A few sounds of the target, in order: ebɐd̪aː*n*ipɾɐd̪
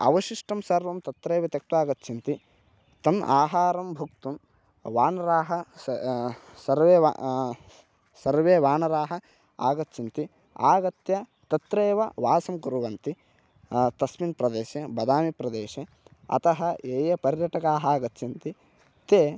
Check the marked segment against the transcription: incorrect: m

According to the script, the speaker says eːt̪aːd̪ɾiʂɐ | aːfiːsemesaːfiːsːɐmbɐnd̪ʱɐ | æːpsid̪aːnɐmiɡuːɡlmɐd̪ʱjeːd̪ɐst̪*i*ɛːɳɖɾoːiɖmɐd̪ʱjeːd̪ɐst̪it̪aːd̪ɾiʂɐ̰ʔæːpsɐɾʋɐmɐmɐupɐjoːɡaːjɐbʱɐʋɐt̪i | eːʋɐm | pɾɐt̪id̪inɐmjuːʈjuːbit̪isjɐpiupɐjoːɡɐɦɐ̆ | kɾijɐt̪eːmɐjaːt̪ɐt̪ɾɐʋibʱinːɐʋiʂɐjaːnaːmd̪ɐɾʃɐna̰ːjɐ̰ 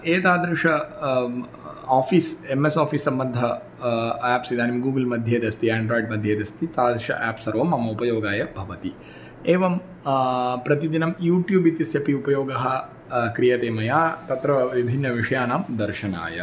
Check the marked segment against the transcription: correct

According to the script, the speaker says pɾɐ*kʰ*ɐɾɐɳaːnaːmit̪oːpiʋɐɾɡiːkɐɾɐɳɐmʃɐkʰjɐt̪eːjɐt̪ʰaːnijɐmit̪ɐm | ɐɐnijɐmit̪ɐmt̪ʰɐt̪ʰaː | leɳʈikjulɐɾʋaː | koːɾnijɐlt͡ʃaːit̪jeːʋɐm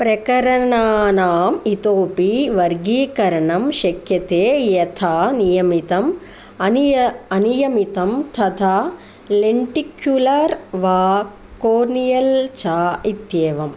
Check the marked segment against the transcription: incorrect: k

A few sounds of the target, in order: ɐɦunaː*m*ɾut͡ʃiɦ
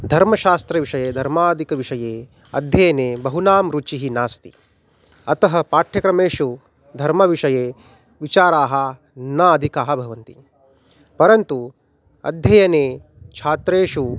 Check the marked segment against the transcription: correct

